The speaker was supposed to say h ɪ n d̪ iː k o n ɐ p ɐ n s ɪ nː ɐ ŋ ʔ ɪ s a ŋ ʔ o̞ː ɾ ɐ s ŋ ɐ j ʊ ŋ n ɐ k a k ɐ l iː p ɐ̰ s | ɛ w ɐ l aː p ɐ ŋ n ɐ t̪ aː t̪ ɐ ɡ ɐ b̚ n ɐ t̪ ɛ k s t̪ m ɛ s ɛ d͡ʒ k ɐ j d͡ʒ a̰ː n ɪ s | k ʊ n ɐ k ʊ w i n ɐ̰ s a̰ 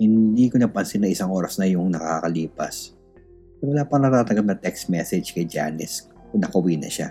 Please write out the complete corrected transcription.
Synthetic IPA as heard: h ɪ n d̪ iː k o n ɐ p ɐ n s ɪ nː ɐ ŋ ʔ ɪ s a ŋ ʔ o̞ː ɾ ɐ s n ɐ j ʊ ŋ n ɐ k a k ɐ l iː p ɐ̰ s | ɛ w ɐ l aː p ɐ ŋ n ɐ t̪ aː t̪ ɐ ɡ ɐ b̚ n ɐ t̪ ɛ k s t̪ m ɛ s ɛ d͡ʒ k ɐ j d͡ʒ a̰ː n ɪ s | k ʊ n ɐ k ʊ w i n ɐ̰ ʃ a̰